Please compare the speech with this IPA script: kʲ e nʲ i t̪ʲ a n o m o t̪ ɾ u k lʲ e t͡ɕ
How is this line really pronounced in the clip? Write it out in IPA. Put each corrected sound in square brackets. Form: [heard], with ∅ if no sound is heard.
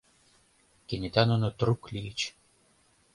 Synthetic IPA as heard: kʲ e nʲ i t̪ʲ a n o [n] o t̪ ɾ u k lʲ [i] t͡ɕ